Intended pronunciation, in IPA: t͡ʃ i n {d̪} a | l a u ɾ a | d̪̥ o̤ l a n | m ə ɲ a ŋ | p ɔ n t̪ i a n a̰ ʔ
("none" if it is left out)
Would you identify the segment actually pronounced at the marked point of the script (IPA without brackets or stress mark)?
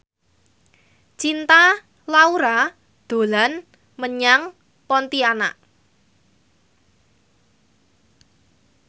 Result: t̪